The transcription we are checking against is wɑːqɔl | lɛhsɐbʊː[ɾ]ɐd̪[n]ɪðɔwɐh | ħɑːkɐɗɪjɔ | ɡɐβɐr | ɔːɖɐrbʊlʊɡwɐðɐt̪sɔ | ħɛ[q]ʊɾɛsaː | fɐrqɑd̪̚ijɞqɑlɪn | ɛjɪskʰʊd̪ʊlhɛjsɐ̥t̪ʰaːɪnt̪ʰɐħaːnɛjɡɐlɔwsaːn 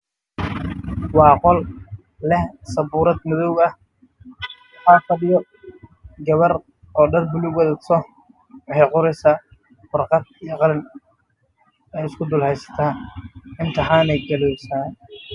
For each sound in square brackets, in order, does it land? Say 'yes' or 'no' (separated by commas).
yes, no, yes